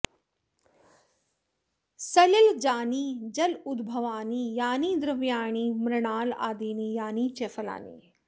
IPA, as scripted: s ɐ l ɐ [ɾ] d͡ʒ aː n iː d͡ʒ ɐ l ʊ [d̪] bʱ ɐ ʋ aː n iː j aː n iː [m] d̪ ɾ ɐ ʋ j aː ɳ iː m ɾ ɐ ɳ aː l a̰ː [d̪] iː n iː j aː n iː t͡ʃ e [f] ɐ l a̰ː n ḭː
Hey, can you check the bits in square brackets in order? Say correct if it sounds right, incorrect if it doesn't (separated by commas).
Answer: incorrect, correct, incorrect, correct, correct